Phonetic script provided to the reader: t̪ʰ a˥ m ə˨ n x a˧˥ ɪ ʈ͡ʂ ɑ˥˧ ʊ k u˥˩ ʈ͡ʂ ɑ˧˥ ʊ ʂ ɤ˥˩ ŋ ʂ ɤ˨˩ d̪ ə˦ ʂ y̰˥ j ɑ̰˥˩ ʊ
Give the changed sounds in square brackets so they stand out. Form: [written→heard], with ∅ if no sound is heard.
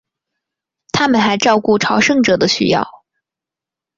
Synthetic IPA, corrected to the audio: t̪ʰ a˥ m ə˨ n x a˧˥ ɪ ʈ͡ʂ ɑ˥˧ ʊ k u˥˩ [ʈ͡ʂ→ʈ͡ʂʰ] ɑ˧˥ ʊ ʂ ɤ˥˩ ŋ [ʂ→ʈ͡ʂ] ɤ˨˩ d̪ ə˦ [ʂ→ɕ] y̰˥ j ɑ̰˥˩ ʊ